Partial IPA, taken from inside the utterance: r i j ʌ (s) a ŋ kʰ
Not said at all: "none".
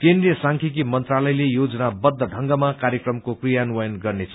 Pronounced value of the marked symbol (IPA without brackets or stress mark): s